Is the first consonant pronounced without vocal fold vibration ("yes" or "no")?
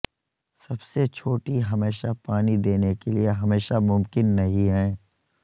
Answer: yes